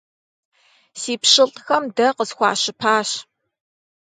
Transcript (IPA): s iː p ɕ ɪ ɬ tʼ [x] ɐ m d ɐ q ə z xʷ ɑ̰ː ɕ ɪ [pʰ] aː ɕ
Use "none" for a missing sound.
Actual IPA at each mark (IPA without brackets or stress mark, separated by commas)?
x, pʰ